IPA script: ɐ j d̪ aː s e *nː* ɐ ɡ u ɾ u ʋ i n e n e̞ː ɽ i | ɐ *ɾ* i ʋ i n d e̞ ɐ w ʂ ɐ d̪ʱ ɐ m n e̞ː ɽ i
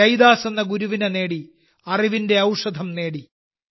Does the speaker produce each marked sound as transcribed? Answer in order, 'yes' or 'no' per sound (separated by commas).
yes, no